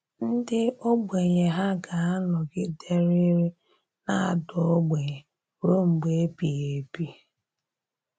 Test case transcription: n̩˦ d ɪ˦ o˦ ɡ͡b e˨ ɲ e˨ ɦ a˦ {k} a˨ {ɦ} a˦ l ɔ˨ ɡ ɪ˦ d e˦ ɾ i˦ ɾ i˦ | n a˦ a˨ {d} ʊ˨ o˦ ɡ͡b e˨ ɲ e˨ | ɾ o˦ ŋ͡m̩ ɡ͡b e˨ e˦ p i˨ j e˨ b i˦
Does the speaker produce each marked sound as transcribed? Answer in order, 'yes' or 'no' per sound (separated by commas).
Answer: no, no, yes